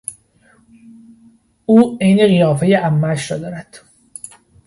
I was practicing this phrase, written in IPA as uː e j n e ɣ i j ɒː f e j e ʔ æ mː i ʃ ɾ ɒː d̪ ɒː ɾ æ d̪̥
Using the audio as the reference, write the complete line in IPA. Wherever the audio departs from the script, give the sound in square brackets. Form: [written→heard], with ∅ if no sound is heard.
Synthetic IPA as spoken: uː e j n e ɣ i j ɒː f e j e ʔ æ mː [i→æ] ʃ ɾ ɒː d̪ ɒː ɾ æ d̪̥